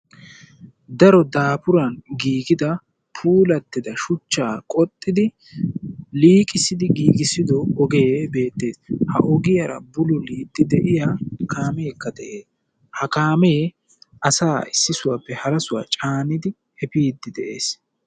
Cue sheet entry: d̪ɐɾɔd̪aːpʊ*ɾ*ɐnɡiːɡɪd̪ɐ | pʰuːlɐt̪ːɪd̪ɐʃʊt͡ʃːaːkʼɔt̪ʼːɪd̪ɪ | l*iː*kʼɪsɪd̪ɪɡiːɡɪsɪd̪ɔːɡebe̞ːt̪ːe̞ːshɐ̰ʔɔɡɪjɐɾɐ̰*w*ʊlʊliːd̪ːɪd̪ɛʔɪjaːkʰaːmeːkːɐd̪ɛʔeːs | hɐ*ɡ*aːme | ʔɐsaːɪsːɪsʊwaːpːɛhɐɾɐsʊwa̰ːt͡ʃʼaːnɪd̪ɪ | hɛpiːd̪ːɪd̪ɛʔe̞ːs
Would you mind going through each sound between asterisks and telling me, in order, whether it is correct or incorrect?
correct, correct, incorrect: b, incorrect: k

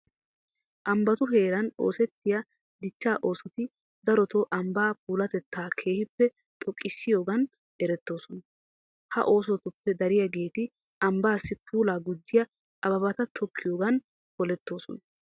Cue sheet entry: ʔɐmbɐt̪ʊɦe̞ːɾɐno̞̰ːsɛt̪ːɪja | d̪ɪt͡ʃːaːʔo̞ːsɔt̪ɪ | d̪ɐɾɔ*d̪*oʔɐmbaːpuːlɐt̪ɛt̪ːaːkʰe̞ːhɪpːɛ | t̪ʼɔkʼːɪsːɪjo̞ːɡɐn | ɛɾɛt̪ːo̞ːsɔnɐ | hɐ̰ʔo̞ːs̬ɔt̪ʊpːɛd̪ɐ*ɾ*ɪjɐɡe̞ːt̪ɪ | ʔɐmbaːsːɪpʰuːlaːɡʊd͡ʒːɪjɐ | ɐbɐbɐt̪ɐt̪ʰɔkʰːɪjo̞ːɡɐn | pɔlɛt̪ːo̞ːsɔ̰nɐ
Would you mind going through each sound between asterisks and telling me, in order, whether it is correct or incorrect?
incorrect: t̪, correct

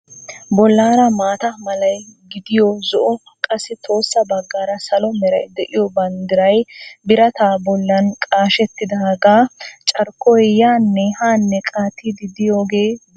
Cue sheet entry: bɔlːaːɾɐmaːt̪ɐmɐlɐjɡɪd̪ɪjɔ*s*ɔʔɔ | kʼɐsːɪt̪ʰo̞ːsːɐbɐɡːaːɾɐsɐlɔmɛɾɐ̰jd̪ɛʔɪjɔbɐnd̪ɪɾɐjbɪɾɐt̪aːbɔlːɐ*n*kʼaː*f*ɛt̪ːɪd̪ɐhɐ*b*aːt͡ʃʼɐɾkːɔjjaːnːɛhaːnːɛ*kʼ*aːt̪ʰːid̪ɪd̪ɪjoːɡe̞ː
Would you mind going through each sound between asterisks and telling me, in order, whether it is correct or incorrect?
incorrect: z, correct, incorrect: ʃ, incorrect: ɡ, correct

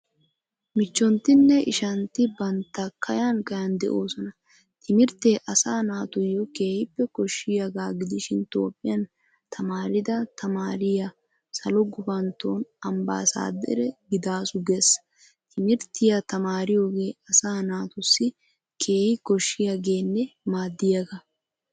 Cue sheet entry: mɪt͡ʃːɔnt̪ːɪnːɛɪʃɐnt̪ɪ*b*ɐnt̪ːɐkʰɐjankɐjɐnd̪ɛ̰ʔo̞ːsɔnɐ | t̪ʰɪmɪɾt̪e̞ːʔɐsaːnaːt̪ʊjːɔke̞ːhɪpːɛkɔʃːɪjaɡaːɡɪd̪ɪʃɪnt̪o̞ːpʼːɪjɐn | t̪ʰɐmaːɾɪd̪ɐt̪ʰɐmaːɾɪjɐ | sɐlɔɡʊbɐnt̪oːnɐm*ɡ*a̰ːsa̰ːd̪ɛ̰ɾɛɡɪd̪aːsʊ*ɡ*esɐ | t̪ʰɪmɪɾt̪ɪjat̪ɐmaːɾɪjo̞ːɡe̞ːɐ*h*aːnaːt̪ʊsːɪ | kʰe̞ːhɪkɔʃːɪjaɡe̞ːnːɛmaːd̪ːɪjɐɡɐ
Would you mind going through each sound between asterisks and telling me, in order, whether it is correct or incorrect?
correct, incorrect: b, correct, incorrect: s

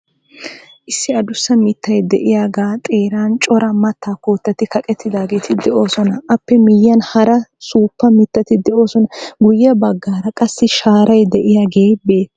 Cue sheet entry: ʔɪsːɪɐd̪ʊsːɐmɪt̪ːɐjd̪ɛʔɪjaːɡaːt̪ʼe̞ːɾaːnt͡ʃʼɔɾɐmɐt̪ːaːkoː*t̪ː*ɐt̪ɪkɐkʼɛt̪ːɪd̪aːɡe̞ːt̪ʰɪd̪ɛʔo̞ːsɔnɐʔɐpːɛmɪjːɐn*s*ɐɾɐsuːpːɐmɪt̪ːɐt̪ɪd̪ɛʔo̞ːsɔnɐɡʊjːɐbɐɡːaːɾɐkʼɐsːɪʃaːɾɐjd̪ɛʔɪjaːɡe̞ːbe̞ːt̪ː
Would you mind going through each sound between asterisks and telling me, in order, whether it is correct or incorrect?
correct, incorrect: h

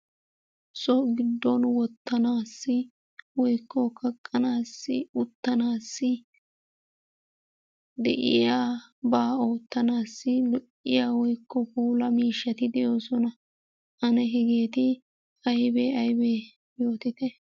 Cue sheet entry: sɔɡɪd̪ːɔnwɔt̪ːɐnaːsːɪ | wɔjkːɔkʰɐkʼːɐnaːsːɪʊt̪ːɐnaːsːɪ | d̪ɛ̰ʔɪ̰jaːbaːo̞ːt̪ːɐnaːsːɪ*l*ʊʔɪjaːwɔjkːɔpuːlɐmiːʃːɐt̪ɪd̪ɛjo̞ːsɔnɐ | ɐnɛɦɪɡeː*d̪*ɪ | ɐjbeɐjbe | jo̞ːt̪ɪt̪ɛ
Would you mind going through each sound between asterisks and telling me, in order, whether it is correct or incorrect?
correct, incorrect: t̪

